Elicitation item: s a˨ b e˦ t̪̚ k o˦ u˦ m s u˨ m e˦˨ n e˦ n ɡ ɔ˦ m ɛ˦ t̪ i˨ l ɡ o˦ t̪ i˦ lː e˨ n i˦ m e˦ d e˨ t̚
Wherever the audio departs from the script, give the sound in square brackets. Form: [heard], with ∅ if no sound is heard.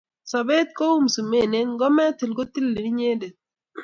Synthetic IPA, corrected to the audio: s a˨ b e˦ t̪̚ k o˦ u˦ m s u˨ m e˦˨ n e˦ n ɡ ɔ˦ m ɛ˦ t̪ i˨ l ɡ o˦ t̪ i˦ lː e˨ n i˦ [ɲ] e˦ d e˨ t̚